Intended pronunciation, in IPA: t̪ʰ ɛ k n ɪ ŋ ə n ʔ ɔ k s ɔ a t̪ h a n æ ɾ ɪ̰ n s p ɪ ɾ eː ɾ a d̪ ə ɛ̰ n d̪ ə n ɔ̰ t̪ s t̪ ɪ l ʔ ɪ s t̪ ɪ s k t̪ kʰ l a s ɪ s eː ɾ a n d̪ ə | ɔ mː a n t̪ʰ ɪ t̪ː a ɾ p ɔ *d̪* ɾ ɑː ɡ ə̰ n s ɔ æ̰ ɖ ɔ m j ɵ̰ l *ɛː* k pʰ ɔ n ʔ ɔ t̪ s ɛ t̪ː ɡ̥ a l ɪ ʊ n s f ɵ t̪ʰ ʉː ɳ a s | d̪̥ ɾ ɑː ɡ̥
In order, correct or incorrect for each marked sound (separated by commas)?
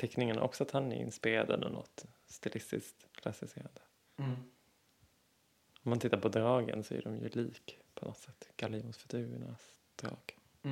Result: correct, incorrect